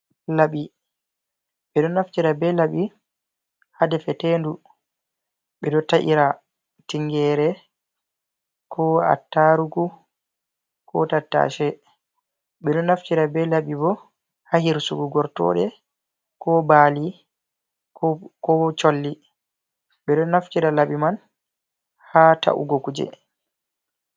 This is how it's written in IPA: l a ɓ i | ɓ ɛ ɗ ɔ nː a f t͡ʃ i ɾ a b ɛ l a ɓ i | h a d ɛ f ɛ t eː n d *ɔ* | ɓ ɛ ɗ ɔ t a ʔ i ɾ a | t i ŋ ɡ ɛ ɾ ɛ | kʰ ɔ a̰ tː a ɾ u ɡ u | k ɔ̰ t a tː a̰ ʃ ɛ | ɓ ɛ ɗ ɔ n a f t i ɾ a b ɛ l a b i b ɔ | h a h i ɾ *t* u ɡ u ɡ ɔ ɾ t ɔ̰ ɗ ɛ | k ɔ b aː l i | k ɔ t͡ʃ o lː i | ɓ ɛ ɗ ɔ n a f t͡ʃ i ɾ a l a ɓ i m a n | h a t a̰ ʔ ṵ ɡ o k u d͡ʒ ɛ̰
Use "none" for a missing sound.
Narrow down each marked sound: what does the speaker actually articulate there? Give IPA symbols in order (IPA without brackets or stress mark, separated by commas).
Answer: u, s